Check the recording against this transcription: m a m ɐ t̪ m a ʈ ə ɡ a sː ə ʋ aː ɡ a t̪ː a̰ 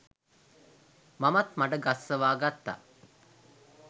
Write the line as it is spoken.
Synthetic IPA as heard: m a m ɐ t̪ m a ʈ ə ɡ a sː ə ʋ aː ɡ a t̪ː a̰